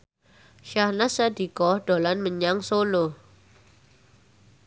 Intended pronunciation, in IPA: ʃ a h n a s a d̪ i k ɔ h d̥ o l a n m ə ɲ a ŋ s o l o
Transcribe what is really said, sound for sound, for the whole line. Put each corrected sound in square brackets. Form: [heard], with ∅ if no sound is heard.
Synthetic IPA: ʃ a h n a s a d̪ i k ɔ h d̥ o l a n m ə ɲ a ŋ s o l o